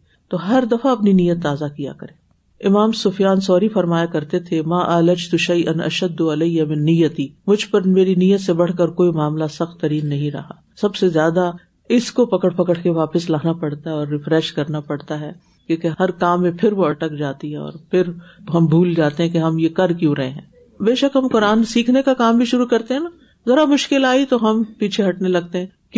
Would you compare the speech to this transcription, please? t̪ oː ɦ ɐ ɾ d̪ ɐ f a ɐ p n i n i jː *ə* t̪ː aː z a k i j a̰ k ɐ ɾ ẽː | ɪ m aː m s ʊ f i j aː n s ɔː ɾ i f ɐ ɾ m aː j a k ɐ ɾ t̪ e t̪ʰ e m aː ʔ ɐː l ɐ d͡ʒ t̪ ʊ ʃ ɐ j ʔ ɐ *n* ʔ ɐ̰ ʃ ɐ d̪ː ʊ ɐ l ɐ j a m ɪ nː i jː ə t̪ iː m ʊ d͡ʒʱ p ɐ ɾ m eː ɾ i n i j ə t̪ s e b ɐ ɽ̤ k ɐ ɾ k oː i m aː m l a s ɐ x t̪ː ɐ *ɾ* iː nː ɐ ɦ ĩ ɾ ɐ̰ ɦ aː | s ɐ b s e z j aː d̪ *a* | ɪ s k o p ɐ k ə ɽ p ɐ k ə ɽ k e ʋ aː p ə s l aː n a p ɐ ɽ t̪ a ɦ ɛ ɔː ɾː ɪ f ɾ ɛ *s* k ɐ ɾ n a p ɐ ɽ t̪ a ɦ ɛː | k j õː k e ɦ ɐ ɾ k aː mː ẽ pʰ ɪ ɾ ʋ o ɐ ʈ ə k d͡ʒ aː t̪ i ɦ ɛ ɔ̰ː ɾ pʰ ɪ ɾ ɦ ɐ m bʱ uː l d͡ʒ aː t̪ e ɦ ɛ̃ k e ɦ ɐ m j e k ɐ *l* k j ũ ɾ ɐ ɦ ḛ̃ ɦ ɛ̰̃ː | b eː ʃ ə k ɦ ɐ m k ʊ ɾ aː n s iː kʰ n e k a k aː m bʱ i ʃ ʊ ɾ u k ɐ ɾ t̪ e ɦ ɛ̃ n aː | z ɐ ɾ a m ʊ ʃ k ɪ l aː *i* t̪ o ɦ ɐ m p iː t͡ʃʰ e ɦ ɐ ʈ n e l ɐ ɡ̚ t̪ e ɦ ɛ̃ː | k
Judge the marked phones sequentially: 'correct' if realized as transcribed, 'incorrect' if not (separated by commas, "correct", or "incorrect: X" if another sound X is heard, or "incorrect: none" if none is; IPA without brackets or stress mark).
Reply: correct, correct, correct, correct, incorrect: ʃ, incorrect: ɾ, correct